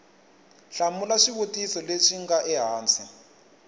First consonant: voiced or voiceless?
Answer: voiceless